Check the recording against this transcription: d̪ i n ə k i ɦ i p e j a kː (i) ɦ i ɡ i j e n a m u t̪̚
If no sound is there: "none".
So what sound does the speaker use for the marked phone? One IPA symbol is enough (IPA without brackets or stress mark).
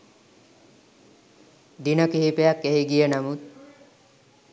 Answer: e